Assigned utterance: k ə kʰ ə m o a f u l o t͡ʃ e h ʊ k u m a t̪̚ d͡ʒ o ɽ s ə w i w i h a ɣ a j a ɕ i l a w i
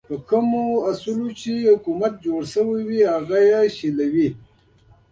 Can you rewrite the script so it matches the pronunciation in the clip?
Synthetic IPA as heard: p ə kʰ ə m o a s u l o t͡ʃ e h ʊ k u m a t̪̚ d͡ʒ o ɽ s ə w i w i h a ɣ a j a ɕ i l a w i